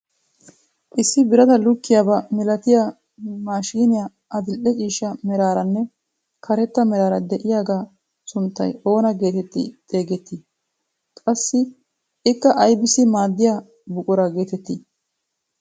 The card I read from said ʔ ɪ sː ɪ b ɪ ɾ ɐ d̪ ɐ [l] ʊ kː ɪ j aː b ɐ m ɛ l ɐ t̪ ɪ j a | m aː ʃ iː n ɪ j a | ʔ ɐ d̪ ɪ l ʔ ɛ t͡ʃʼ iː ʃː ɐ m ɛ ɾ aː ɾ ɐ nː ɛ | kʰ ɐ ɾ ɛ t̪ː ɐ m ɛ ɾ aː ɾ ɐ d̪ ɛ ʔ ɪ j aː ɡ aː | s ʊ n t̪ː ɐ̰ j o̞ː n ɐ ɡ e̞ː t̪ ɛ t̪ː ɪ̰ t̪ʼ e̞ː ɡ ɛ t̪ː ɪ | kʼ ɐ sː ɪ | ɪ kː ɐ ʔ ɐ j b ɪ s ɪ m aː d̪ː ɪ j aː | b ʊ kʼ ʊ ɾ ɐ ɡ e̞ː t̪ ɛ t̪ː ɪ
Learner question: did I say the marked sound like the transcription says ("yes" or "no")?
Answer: yes